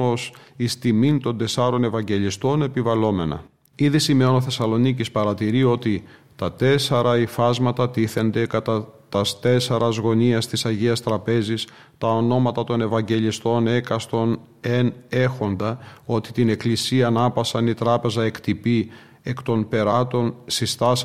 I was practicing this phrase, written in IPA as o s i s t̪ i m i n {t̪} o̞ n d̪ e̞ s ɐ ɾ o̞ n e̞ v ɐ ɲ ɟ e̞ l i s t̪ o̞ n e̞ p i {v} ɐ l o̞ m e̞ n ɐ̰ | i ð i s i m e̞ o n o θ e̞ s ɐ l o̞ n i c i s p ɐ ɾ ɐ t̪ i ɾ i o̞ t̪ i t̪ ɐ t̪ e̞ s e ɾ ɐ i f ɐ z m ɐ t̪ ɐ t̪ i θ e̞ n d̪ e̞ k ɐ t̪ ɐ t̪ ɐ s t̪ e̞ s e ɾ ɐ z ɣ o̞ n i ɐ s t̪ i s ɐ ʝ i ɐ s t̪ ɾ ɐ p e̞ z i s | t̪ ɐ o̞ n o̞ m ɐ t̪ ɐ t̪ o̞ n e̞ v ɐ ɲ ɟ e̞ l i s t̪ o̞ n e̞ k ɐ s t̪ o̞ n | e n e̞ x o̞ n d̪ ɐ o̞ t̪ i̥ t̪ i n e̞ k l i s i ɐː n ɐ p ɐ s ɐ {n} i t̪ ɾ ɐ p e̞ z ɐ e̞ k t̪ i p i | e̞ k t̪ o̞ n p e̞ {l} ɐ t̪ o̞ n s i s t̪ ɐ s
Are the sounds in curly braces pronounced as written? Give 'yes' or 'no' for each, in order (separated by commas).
yes, yes, yes, no